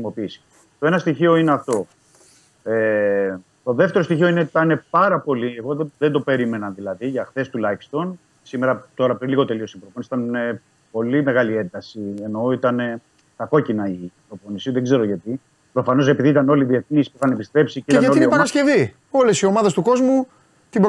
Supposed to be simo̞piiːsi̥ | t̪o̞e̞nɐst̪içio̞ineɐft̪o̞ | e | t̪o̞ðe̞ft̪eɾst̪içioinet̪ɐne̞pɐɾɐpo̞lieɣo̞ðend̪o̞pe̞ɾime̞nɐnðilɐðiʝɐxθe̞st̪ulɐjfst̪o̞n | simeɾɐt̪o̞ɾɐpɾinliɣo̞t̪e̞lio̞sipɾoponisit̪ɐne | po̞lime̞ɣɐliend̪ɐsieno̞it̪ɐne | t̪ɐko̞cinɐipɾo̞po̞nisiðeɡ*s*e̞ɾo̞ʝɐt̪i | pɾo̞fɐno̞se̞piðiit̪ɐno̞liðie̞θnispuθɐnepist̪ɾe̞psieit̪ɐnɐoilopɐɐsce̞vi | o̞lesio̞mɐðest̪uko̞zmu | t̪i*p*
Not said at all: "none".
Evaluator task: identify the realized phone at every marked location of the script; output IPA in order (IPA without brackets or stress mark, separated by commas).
z, b